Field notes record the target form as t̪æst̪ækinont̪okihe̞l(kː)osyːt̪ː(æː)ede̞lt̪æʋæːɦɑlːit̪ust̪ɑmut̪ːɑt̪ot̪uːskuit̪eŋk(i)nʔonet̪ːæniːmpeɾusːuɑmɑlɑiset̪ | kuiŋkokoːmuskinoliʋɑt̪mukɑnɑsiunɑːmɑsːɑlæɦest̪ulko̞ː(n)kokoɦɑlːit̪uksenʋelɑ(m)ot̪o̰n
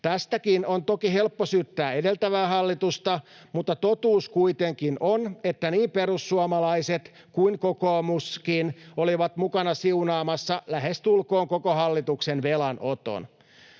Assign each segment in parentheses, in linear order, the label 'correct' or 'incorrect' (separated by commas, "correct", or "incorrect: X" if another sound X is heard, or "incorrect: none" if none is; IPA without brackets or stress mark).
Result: incorrect: pː, correct, correct, incorrect: ŋ, incorrect: n